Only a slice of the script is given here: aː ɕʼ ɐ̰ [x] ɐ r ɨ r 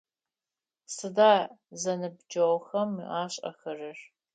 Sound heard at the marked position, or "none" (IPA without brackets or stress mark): x